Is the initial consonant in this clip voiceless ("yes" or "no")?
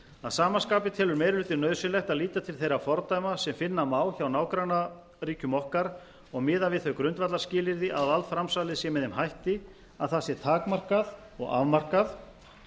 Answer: no